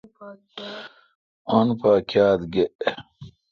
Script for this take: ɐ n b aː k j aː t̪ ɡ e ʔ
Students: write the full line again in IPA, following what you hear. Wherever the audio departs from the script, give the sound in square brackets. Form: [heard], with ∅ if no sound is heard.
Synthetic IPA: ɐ n [p] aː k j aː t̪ ɡ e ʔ